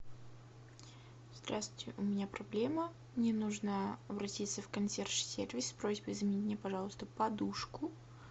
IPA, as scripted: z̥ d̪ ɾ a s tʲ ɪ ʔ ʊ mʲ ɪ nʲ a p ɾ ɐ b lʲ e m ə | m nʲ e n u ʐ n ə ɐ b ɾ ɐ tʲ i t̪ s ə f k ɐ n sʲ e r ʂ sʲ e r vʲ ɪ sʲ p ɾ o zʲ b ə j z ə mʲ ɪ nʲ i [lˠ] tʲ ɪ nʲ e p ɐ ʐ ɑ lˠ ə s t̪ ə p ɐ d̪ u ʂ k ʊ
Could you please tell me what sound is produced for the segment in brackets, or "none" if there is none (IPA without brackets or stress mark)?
none